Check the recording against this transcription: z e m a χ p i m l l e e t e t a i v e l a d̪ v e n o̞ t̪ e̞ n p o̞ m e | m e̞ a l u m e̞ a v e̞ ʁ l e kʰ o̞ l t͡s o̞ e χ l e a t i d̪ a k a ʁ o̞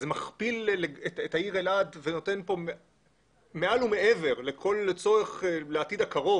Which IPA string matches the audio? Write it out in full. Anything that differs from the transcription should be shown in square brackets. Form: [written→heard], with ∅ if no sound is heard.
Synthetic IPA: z e m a χ p i [m→∅] l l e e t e t a i [v→ʁ] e l a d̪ v e n o̞ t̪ e̞ n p o̞ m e | m e̞ a l u m e̞ [a→e] v e̞ ʁ l e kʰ o̞ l t͡s o̞ e χ l e a t i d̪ a k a ʁ o̞